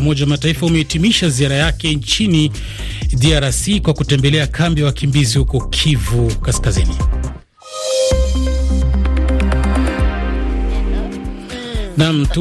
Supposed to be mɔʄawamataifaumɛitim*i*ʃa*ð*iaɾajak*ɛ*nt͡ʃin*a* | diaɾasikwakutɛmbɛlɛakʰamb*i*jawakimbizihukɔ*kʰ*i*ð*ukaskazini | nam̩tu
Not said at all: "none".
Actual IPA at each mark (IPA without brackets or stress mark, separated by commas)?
i, z, ɛ, i, i, kʰ, v